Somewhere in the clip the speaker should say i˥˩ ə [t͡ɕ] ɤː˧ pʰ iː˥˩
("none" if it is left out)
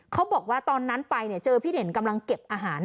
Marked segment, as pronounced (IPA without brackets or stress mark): t͡ɕ